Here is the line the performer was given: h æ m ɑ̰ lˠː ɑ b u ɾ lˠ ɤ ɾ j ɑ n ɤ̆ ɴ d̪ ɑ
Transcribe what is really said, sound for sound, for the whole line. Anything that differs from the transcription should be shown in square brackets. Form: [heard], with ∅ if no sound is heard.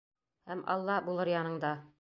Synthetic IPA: h æ m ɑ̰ lˠː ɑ b u [∅] lˠ ɤ ɾ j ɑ n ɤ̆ ɴ d̪ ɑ